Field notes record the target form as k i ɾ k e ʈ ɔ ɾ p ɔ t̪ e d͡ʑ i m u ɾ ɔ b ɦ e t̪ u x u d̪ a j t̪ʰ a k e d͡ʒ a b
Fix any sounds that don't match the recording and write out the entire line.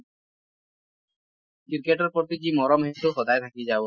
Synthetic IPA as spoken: k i ɾ k e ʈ ɔ ɾ p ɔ t̪ i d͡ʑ i m ɔ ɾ ɔ m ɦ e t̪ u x ɔ d̪ a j t̪ʰ a k i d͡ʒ a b